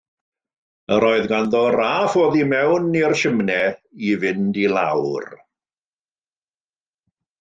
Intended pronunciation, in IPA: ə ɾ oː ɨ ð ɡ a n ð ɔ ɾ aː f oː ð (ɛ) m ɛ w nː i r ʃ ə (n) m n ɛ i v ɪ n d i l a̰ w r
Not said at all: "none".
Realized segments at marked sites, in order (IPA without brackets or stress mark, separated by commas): i, none